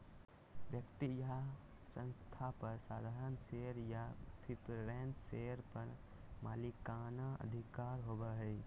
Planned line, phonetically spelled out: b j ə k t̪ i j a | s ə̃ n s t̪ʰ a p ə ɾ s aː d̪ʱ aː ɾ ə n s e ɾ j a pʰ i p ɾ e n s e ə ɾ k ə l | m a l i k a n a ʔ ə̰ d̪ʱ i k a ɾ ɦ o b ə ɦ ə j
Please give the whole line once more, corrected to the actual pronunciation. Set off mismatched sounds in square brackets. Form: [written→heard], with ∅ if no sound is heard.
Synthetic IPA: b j ə k t̪ i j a | s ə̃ n s t̪ʰ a p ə ɾ s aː d̪ʱ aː ɾ ə n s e ɾ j a pʰ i p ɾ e n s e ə ɾ [k→p] ə [l→ɾ] | m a l i k a n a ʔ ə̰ d̪ʱ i k a ɾ ɦ o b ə ɦ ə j

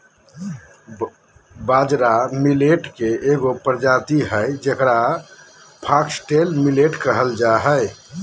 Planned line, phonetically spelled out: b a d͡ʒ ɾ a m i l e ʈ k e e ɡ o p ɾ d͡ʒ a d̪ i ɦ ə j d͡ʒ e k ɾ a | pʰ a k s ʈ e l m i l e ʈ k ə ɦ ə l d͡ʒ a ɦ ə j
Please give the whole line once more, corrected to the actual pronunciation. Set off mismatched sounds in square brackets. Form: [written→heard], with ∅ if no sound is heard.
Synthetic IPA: b a d͡ʒ ɾ a m i l e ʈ k e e ɡ o p ɾ d͡ʒ a [d̪→t̪] i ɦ ə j d͡ʒ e k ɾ a | pʰ a k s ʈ e l m i l e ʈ k ə ɦ ə l d͡ʒ a ɦ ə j

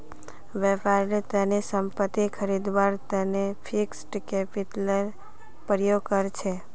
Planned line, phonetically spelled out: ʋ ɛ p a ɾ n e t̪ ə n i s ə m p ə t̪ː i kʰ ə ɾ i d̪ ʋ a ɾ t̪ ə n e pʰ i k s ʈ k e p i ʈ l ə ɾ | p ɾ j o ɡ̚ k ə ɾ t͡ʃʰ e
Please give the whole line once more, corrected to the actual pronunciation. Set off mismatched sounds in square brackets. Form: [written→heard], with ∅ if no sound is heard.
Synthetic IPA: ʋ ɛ p a ɾ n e t̪ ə n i s ə m p ə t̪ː i kʰ ə ɾ i d̪ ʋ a ɾ t̪ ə n e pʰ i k s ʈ k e p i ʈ l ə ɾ | p ɾ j o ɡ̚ k ə ɾ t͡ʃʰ e

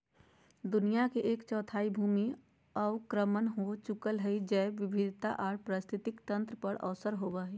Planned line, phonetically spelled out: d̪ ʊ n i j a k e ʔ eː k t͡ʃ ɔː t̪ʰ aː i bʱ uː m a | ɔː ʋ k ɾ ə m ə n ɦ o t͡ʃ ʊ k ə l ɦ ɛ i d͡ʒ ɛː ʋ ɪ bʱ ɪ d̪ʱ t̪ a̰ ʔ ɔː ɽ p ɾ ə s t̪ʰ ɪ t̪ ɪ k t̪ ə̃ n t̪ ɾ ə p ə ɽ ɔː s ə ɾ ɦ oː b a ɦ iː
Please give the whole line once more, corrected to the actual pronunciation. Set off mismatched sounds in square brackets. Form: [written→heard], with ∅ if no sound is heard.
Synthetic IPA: d̪ ʊ n i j a k e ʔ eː k t͡ʃ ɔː t̪ʰ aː i bʱ uː m [a→i] | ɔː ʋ k ɾ ə m ə n ɦ o t͡ʃ ʊ k ə l ɦ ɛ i d͡ʒ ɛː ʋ ɪ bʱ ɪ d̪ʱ t̪ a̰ ʔ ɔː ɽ p ɾ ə s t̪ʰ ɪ t̪ ɪ k t̪ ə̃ n t̪ ɾ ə p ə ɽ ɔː s ə ɾ ɦ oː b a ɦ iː

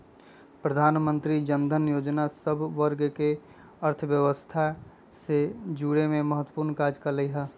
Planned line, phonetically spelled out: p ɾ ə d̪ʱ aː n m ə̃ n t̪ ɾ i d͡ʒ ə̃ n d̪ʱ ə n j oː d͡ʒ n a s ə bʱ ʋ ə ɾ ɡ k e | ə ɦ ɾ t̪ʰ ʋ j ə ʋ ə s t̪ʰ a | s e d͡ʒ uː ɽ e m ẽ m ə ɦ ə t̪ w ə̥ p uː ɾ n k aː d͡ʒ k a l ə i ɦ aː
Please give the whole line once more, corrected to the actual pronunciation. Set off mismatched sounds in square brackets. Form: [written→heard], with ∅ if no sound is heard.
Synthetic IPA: p ɾ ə d̪ʱ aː n m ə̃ n t̪ ɾ i d͡ʒ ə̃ n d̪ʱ ə n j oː d͡ʒ n a s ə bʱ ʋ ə ɾ ɡ k e | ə [ɦ→∅] ɾ t̪ʰ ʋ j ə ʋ ə s t̪ʰ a | s e d͡ʒ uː ɽ e m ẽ m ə ɦ ə t̪ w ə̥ p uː ɾ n k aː d͡ʒ k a l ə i ɦ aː

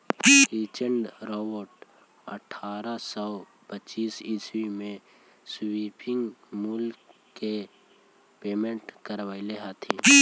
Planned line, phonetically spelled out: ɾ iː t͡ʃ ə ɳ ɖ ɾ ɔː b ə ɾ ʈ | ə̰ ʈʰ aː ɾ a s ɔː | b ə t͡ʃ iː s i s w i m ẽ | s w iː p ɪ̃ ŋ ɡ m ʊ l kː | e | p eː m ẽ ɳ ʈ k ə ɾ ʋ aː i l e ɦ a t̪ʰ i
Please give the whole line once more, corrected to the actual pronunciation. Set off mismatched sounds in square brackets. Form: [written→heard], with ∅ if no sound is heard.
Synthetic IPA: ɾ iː t͡ʃ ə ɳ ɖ ɾ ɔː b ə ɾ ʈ | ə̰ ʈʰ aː ɾ a s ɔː | [b→p] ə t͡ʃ iː s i s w i m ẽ | s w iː p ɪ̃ ŋ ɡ m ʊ l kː | e | p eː m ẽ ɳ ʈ k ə ɾ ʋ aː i l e ɦ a t̪ʰ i

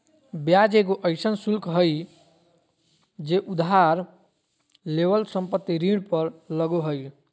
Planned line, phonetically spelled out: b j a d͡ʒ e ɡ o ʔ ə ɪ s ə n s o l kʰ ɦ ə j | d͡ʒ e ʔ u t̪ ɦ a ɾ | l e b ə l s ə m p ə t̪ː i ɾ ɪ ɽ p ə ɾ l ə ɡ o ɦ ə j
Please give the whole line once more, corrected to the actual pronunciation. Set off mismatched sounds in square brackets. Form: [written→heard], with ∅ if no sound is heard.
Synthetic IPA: b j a d͡ʒ e ɡ o ʔ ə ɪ s ə n s [o→u] l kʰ ɦ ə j | d͡ʒ e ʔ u [t̪→d̪] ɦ a ɾ | l e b ə l s ə m p ə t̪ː i ɾ [ɪ→i] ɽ p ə ɾ l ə ɡ o ɦ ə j

